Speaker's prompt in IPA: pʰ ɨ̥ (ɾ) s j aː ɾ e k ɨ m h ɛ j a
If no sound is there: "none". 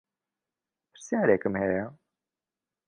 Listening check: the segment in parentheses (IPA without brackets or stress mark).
ɾ